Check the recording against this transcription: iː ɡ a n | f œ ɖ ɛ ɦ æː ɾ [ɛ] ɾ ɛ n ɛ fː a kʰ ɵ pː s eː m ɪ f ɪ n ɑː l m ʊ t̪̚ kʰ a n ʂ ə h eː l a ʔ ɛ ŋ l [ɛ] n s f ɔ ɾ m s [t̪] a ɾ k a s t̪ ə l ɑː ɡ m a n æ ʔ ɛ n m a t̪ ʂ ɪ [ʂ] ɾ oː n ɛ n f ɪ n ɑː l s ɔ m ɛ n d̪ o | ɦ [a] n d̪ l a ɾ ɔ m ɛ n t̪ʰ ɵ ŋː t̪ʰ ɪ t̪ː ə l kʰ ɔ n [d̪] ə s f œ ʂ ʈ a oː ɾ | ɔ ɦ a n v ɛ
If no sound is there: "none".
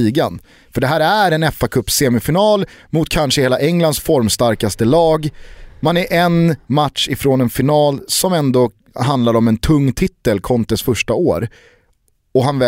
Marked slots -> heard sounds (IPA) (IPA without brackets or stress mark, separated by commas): æ, a, t̪, f, a, t̪